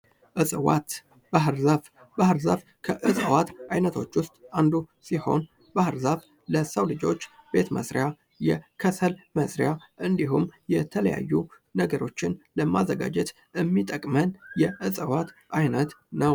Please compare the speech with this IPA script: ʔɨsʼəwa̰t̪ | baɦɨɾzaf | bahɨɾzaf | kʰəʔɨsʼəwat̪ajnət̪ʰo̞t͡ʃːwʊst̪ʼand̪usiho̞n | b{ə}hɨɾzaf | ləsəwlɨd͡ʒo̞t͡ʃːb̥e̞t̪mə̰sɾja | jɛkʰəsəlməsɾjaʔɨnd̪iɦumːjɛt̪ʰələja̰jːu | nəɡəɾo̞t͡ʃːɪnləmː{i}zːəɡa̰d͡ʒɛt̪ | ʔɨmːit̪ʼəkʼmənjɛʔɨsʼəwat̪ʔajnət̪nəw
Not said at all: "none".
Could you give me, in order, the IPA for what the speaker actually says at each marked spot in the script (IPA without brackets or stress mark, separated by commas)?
a, a